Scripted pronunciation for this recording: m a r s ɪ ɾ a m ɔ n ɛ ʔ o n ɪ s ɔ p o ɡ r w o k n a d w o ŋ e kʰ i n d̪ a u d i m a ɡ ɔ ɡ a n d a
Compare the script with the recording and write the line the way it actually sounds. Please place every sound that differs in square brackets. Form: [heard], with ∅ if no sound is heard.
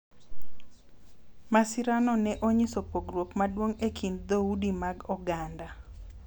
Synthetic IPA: m a [∅] s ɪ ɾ a [n] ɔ n ɛ ʔ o [ɲ] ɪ s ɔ p o ɡ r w o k [m] a d w o ŋ e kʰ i n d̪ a u d i m a ɡ ɔ ɡ a n d a